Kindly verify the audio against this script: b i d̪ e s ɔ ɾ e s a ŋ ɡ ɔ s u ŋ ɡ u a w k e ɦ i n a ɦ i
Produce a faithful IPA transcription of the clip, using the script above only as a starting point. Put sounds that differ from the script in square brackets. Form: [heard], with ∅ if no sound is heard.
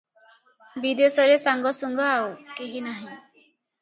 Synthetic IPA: b i d̪ e s ɔ ɾ e s a ŋ ɡ ɔ s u ŋ ɡ [ɔ] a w k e ɦ i n a ɦ [ĩ]